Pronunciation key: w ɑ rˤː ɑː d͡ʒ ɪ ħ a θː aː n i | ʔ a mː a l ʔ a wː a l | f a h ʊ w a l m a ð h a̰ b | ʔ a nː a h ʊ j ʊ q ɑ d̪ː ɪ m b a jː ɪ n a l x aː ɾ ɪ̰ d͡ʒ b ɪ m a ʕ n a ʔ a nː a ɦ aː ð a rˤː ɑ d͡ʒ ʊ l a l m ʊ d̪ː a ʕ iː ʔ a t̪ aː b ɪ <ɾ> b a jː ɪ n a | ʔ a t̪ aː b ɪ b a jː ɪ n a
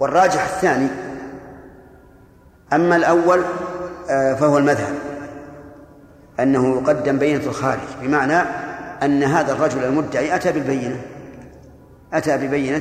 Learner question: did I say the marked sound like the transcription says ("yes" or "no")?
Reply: no